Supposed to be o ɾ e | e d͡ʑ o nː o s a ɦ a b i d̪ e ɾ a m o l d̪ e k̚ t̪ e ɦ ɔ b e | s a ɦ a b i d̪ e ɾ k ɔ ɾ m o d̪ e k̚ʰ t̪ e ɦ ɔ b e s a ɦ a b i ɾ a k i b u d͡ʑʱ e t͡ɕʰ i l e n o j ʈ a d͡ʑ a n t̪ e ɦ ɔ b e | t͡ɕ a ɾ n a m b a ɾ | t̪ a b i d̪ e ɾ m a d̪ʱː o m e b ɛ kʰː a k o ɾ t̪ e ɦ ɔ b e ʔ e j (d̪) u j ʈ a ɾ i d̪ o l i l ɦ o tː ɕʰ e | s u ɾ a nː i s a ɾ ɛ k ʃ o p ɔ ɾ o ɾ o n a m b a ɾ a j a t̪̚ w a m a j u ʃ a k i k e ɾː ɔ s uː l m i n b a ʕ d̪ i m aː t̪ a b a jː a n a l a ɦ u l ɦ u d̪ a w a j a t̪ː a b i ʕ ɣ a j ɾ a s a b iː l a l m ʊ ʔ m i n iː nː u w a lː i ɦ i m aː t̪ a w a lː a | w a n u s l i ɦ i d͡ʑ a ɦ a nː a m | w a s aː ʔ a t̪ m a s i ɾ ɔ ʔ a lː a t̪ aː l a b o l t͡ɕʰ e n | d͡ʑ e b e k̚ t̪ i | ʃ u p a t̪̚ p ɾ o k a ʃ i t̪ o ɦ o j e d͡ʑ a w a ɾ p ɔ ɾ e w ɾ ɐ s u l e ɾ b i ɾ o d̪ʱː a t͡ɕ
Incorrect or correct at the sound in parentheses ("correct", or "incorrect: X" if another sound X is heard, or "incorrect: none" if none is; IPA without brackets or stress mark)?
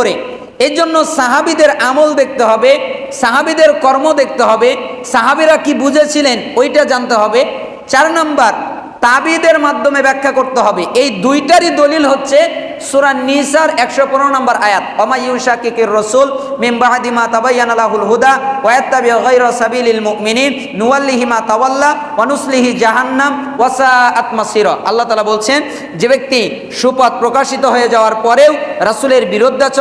correct